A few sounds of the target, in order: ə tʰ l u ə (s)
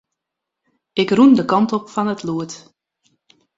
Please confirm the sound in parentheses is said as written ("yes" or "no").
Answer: no